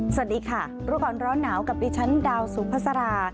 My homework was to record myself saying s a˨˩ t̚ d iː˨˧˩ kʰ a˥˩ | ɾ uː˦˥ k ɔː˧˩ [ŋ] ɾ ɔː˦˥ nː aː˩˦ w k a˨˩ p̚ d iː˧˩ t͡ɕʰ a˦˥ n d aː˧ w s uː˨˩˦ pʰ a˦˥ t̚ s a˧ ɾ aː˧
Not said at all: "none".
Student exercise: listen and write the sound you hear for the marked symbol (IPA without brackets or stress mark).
n